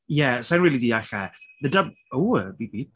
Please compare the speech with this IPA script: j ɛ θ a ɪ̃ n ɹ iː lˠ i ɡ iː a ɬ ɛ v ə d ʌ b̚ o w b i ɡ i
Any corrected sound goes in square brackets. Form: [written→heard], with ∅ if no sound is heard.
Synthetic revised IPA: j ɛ [θ→s] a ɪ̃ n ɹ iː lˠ i [ɡ→d] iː a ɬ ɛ [v→ð] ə d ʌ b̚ o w b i [ɡ→b] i